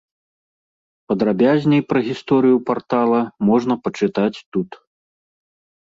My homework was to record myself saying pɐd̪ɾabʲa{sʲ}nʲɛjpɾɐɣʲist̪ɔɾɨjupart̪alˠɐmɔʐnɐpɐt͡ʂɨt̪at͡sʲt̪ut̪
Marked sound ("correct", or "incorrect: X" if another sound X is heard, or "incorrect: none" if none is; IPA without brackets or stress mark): incorrect: zʲ